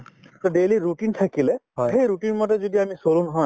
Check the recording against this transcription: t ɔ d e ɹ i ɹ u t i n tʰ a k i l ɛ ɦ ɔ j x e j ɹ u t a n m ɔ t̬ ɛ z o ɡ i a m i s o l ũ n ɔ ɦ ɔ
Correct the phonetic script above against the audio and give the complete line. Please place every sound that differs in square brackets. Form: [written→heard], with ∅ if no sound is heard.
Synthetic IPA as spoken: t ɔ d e [ɹ→l] i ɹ u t i n tʰ a k i l ɛ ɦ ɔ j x e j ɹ u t [a→i] n m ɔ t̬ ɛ z o [ɡ→d] i a m i s o l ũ n ɔ ɦ ɔ